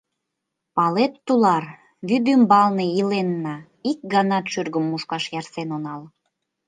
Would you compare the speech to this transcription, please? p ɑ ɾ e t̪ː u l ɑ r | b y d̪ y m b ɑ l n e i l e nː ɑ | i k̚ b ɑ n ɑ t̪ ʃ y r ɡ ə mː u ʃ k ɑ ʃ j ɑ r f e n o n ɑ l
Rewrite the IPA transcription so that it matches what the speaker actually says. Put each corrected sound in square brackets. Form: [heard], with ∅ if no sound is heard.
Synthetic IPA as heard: p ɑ [l] e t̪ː u l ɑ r | [β] y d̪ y m b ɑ l n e i l e nː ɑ | i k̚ [ɡ] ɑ n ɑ t̪ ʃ y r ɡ ə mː u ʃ k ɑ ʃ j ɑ r [s] e n o n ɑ l